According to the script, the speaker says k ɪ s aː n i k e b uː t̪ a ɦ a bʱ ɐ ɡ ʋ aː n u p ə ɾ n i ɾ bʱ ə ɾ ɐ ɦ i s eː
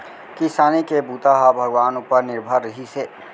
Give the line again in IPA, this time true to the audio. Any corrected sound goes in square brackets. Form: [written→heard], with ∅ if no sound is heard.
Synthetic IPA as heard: k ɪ s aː n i k e b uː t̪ a ɦ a bʱ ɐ ɡ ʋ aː n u p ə ɾ n [i→ɪ] ɾ bʱ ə ɾ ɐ ɦ i s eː

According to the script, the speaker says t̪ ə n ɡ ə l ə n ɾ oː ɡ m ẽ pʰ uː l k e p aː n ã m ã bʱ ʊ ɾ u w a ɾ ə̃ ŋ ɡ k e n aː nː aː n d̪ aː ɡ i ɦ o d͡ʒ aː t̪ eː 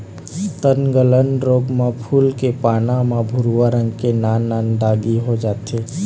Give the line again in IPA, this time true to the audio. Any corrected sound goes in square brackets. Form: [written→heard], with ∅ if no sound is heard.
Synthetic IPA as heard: t̪ ə n ɡ ə l ə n ɾ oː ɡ m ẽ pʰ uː l k e p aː n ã m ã bʱ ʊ ɾ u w a ɾ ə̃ ŋ ɡ k e n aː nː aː n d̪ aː ɡ i ɦ o d͡ʒ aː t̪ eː

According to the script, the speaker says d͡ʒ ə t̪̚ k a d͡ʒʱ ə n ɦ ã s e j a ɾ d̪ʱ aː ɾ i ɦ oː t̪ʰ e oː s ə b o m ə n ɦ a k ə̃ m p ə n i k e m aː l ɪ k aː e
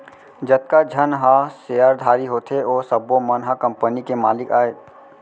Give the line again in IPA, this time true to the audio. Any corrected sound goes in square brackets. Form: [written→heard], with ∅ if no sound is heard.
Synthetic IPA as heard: d͡ʒ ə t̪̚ k a d͡ʒʱ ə n ɦ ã s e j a ɾ d̪ʱ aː ɾ i ɦ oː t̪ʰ e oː s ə b o m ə n ɦ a k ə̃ m p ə n i k e m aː l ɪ k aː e

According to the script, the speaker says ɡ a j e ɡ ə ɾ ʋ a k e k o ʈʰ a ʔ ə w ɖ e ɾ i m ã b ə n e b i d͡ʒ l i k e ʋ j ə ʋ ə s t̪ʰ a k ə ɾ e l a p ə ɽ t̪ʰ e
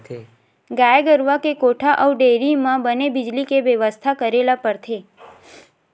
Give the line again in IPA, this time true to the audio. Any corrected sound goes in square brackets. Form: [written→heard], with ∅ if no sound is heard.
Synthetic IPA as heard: ɡ a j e ɡ ə ɾ ʋ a k e k o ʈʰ a ʔ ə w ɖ e ɾ i m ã b ə n e b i d͡ʒ l i k e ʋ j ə ʋ ə s t̪ʰ a k ə ɾ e l a p ə [ɽ→ɾ] t̪ʰ e

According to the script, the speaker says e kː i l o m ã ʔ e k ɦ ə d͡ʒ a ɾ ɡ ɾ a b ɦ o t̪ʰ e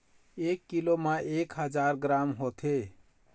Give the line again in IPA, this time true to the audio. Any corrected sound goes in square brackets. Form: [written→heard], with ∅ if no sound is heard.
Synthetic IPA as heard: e kː i l o m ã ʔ e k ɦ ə d͡ʒ a ɾ ɡ ɾ a [b→m] ɦ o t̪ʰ e

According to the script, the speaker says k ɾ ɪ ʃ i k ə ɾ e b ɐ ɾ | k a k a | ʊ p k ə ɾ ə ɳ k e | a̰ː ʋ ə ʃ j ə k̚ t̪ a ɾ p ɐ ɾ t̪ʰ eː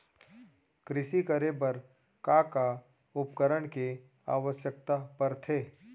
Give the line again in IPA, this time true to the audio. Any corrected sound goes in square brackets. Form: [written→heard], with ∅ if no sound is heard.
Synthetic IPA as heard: k ɾ ɪ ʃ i k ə ɾ e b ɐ ɾ | k a k a | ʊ p k ə ɾ ə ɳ k e | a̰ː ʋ ə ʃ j ə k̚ t̪ a [ɾ→∅] p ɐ ɾ t̪ʰ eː

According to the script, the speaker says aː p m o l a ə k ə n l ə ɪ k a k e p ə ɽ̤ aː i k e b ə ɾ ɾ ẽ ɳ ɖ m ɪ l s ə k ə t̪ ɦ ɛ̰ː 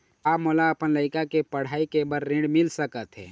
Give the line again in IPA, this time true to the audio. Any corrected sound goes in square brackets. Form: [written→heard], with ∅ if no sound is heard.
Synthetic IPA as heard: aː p m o l a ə [k→p] ə n l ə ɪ k a k e p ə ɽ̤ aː i k e b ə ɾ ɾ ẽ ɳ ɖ m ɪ l s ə k ə t̪ ɦ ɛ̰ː

